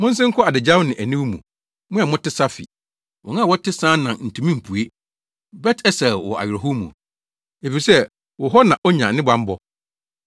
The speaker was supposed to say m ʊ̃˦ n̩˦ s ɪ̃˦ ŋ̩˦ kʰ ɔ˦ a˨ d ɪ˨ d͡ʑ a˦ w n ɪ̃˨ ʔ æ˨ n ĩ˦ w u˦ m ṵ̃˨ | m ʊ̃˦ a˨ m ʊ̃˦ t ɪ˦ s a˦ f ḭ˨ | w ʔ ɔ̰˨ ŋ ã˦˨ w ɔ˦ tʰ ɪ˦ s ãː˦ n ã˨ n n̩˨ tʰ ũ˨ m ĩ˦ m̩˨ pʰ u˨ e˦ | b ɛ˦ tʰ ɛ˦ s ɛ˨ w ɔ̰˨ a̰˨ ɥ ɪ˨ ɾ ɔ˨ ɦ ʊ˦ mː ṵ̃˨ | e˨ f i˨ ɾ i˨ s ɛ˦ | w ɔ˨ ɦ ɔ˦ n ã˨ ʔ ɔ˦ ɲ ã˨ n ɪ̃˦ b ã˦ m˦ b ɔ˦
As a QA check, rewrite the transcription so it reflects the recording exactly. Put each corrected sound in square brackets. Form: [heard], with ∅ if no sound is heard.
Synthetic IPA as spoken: m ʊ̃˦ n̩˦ s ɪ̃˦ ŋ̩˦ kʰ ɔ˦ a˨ d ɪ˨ d͡ʑ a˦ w n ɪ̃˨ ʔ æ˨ n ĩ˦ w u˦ m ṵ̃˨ | m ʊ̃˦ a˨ m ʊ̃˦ t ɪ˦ s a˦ f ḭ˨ | w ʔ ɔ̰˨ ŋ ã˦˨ w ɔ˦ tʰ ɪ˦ s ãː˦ n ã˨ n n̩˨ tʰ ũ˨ m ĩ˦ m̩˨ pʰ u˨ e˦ | b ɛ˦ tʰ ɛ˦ s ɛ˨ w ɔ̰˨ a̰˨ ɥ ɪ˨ ɾ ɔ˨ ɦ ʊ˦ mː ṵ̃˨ | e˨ f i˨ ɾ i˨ s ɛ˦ | w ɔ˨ ɦ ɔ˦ n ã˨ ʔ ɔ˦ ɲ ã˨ n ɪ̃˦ b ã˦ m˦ b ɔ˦